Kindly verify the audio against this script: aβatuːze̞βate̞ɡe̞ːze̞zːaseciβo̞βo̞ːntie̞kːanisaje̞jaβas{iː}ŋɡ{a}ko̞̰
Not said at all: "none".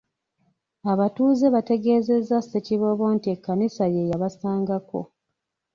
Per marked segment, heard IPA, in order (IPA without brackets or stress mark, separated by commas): aː, a